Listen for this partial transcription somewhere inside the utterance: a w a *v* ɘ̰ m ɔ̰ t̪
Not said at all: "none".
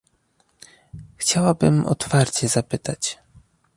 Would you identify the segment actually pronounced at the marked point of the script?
b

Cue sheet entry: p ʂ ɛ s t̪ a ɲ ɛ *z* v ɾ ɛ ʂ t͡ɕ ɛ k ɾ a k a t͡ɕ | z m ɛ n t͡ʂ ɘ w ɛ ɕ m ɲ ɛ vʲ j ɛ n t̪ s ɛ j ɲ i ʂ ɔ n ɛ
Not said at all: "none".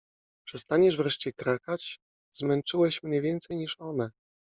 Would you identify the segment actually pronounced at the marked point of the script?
ʐ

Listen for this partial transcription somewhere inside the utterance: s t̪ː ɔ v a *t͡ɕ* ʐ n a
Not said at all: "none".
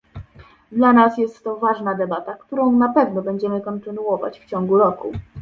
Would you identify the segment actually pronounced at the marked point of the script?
none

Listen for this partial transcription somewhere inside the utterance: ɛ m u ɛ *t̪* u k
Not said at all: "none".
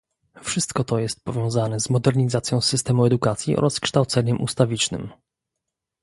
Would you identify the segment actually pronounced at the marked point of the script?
d̪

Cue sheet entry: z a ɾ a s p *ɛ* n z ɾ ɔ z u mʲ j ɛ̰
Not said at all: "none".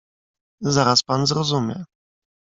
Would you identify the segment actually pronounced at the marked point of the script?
a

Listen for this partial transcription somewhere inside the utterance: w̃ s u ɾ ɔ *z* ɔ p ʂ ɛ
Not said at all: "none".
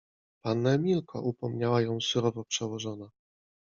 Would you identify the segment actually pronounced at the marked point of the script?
v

